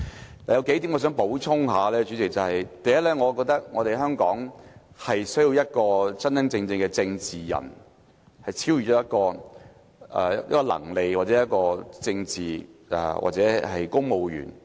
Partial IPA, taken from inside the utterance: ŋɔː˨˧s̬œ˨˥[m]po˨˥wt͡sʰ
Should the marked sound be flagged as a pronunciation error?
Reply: yes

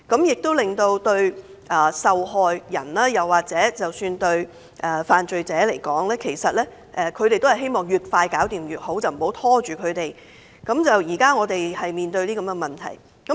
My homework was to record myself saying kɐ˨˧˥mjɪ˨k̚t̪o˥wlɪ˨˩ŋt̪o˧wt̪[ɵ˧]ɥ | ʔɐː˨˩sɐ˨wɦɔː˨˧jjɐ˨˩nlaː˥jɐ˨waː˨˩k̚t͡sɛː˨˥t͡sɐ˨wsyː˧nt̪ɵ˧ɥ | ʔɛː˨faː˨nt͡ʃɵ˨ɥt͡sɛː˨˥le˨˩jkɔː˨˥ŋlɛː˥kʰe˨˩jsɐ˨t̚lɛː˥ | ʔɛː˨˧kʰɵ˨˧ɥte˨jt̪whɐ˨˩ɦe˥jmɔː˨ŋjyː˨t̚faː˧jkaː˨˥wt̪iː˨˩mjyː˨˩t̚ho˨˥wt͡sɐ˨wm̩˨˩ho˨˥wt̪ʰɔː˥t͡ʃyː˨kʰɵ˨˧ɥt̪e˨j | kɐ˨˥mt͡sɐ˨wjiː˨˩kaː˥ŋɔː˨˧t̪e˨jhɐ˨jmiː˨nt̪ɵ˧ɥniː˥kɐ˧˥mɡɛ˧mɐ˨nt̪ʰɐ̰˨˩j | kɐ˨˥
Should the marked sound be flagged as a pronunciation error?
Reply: no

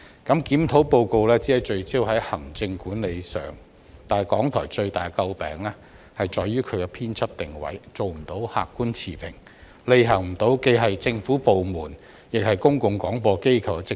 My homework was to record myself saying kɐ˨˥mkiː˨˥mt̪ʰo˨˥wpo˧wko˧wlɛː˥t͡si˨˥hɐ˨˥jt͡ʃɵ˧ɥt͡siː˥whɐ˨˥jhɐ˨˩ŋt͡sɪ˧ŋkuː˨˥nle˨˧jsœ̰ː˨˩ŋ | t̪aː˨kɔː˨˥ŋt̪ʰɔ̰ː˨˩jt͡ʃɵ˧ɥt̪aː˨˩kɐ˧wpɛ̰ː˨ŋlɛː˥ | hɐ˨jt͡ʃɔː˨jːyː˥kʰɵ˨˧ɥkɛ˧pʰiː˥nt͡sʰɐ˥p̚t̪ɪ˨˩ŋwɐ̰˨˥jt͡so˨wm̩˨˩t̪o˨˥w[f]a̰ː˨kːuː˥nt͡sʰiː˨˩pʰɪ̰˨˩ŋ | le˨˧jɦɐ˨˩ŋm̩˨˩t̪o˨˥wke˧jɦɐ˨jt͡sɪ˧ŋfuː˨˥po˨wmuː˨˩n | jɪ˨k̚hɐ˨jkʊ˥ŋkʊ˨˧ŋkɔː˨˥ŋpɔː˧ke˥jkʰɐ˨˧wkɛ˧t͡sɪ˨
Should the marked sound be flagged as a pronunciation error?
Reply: yes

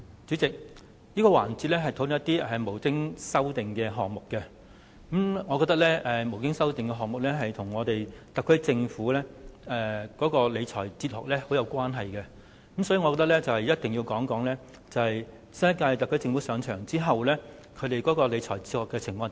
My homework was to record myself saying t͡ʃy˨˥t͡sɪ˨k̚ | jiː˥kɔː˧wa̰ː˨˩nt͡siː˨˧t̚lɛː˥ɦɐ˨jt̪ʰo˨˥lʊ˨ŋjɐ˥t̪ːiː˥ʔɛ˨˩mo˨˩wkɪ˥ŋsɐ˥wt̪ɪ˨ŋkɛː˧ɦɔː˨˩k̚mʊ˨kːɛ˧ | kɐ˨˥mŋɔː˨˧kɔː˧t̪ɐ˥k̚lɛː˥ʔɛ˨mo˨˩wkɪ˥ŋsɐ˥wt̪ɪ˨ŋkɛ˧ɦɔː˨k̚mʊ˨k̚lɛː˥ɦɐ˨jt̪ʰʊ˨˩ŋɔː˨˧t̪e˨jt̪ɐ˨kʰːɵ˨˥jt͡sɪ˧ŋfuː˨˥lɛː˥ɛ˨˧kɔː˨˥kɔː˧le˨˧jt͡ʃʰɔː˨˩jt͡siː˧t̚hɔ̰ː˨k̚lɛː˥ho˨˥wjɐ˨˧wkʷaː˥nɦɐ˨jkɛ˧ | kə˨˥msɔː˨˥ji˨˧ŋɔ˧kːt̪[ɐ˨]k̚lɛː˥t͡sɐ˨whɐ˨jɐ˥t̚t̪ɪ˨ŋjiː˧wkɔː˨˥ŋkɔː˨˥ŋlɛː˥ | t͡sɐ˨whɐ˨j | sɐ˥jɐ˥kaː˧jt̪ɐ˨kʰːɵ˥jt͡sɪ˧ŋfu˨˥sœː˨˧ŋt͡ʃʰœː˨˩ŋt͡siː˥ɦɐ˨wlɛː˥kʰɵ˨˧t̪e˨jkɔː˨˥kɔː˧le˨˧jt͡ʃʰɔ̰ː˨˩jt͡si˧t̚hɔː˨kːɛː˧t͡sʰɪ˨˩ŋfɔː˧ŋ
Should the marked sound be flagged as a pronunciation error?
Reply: yes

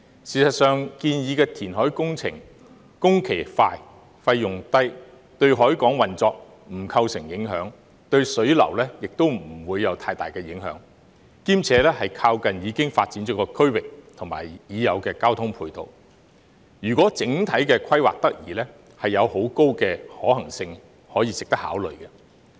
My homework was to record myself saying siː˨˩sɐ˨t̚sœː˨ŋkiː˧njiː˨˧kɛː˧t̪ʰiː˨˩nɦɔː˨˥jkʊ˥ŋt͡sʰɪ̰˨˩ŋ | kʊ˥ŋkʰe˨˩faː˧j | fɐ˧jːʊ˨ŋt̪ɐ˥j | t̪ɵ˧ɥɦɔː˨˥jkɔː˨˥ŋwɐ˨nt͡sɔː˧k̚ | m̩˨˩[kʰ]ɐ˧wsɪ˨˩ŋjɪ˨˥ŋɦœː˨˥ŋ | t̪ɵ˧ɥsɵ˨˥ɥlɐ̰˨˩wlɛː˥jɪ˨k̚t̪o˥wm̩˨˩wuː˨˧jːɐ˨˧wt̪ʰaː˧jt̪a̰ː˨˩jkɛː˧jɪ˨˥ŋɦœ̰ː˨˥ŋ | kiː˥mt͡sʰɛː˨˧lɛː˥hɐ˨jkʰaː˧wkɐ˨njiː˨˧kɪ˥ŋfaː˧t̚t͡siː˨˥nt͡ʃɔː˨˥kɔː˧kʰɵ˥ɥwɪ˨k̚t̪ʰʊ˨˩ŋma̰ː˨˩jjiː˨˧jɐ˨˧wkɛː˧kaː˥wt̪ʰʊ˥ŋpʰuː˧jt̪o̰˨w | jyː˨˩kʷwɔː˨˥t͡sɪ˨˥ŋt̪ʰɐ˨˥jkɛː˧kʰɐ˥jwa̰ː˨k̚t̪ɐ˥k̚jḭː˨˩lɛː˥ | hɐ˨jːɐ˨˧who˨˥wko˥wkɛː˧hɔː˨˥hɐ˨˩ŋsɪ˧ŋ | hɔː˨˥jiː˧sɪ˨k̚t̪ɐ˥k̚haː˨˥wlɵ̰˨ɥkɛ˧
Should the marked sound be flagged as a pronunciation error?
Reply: no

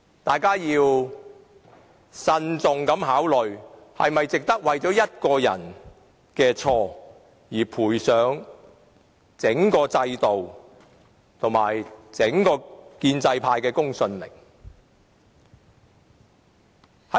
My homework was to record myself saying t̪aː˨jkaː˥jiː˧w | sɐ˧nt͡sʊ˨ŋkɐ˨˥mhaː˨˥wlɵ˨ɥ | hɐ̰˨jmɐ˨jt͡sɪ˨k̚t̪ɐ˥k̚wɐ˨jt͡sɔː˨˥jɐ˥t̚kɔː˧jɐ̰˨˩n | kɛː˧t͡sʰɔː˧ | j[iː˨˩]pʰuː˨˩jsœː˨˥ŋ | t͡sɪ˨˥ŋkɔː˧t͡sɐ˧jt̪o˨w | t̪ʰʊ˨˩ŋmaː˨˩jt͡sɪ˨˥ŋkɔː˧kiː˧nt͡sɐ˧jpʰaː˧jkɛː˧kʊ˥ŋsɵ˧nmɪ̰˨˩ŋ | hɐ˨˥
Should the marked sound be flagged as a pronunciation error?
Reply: no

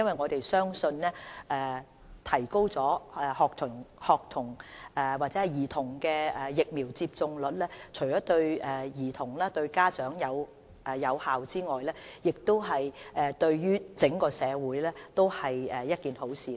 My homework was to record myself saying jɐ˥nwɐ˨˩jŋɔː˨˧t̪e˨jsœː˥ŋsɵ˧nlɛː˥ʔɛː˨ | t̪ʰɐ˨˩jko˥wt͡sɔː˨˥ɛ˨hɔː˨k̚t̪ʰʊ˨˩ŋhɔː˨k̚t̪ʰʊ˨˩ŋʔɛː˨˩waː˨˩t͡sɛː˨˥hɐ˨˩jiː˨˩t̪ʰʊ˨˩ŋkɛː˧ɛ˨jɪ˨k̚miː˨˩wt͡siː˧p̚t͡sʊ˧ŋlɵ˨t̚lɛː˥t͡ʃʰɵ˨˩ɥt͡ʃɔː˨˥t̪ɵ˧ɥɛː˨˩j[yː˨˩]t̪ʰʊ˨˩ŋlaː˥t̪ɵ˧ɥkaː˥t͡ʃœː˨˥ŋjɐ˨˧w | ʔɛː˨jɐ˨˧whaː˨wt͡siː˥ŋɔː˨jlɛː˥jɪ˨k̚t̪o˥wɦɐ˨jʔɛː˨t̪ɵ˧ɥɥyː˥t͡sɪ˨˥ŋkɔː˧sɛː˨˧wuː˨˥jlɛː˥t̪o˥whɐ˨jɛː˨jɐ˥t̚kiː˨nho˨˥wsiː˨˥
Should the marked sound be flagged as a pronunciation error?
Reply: yes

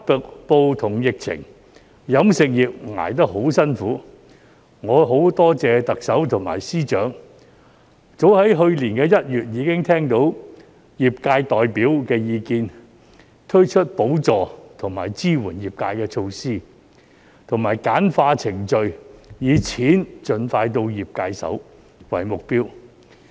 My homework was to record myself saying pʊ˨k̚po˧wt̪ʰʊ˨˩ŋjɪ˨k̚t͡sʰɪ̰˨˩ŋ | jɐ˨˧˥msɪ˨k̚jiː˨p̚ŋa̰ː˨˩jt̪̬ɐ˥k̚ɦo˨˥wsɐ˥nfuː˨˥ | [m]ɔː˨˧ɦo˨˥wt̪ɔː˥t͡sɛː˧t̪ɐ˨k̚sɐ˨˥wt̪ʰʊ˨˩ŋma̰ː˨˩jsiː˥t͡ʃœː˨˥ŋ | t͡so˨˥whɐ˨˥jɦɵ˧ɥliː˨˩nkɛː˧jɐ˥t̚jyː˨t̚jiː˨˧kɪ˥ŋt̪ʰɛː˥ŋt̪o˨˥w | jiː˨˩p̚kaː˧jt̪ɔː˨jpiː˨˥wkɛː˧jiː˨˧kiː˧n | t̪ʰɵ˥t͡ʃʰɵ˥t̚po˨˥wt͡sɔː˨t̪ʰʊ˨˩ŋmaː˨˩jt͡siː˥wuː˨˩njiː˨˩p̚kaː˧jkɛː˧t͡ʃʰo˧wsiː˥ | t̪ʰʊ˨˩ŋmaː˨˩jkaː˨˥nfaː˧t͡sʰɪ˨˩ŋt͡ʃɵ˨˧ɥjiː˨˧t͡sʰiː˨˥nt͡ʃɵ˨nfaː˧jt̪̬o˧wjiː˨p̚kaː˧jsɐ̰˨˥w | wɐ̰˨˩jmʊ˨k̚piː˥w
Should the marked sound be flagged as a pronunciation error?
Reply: yes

